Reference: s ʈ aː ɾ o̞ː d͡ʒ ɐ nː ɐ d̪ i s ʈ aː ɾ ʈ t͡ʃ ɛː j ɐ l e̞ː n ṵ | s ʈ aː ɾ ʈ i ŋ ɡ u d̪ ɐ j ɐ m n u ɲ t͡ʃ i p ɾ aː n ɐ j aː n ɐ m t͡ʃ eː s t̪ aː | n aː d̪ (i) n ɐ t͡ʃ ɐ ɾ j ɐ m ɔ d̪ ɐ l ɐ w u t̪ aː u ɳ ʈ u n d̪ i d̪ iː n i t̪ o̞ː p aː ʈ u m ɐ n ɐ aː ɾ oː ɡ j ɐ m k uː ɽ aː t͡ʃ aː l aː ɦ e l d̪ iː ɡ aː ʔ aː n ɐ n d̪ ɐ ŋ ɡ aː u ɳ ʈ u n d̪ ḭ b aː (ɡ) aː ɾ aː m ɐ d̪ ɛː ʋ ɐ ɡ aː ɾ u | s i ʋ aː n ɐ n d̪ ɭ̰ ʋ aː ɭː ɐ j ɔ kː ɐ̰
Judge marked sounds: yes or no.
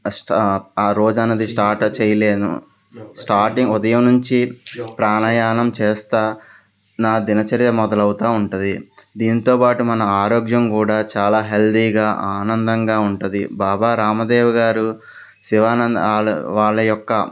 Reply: yes, no

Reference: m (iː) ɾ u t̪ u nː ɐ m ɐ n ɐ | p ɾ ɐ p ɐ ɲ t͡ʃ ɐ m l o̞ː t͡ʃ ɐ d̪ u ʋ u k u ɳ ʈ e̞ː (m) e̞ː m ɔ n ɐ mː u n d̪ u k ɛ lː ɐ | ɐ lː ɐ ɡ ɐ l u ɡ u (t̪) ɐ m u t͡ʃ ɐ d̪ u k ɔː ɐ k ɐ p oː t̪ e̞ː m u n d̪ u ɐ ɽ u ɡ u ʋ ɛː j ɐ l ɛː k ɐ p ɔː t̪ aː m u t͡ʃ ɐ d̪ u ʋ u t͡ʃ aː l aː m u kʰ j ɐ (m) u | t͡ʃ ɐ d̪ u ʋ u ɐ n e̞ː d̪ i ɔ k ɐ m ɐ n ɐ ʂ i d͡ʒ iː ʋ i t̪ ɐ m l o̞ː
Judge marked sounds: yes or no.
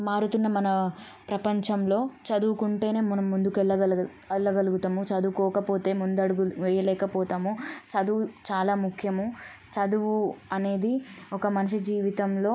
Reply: no, no, yes, yes

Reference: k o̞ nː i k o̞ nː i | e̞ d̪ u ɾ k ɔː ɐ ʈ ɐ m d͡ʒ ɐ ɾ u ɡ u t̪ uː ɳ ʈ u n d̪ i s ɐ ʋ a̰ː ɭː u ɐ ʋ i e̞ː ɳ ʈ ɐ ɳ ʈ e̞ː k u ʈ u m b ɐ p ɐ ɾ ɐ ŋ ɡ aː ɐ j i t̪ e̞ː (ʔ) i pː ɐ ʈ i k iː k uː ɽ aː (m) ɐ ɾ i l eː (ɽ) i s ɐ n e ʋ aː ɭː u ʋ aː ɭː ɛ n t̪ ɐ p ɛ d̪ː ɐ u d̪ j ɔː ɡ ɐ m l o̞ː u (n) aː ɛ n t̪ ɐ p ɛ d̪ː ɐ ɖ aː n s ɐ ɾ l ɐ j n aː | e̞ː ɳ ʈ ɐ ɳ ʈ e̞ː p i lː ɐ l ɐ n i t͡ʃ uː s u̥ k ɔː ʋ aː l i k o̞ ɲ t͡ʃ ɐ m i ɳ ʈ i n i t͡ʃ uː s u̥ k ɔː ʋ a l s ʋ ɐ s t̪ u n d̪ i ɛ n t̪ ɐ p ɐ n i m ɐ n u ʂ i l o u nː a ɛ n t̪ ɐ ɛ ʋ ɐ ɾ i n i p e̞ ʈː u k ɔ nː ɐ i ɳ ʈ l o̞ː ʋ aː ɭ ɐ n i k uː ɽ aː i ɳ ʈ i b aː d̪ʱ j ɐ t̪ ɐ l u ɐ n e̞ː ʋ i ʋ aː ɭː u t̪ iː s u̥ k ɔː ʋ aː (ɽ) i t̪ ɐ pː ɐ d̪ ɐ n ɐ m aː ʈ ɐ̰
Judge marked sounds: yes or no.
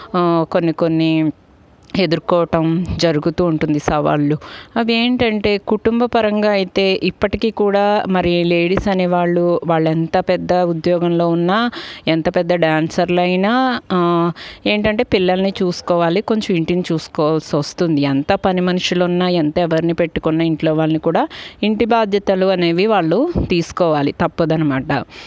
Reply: yes, yes, yes, no, no

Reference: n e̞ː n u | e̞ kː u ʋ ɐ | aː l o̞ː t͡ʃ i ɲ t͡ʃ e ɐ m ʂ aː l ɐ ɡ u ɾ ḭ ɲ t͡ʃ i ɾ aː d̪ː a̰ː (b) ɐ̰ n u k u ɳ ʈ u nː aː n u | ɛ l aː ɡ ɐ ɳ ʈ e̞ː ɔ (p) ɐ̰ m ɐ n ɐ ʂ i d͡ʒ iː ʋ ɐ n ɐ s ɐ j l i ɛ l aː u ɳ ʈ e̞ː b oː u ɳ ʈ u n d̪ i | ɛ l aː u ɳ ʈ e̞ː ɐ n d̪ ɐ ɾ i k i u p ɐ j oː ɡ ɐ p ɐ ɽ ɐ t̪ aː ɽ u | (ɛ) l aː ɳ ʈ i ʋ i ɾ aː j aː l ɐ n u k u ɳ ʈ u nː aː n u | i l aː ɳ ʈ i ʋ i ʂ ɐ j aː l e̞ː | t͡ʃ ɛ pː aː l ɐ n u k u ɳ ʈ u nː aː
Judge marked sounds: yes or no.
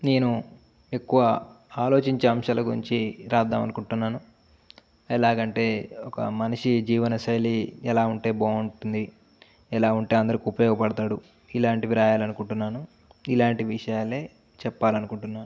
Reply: no, no, no

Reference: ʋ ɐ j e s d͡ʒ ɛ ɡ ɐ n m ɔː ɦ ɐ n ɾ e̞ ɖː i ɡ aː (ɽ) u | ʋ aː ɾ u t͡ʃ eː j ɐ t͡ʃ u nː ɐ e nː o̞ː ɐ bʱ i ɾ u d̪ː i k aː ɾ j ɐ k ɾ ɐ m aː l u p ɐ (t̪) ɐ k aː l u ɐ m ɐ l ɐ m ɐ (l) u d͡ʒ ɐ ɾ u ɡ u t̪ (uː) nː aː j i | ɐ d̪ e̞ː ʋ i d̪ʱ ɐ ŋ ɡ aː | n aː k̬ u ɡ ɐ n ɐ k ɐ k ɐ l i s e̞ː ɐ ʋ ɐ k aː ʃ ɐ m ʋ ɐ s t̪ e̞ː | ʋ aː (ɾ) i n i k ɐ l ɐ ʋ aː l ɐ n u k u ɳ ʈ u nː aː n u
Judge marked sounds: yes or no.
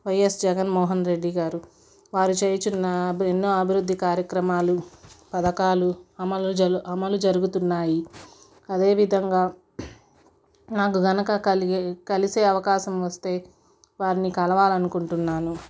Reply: no, no, yes, no, yes

